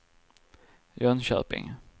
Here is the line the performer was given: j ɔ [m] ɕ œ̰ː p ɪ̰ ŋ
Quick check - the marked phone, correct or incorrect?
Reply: incorrect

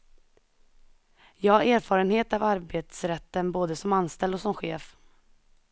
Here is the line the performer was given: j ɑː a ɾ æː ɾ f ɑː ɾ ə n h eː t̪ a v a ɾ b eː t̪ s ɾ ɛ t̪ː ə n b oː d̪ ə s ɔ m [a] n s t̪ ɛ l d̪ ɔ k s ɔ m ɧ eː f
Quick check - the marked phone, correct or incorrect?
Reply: correct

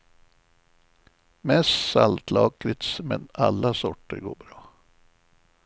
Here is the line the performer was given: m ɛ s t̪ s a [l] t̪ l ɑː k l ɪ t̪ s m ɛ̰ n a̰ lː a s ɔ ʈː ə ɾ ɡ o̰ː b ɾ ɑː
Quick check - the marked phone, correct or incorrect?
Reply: correct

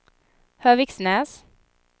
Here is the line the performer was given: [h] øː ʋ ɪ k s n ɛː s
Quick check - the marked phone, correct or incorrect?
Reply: correct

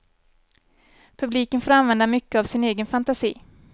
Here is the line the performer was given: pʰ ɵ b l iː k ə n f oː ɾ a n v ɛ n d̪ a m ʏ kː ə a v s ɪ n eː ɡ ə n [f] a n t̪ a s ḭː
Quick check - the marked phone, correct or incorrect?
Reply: correct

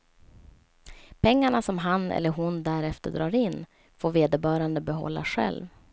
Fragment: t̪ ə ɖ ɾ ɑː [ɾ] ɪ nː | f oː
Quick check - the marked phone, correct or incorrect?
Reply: correct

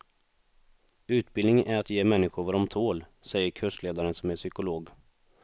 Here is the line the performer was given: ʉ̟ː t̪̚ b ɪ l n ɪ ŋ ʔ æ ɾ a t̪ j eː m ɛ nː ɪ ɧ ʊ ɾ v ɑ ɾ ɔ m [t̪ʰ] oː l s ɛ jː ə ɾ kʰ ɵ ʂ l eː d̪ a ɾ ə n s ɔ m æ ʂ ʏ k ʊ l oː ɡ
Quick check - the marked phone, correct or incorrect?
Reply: correct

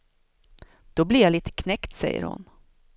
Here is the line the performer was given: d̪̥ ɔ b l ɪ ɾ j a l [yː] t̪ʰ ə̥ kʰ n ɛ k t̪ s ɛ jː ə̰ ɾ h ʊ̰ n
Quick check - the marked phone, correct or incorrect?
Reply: incorrect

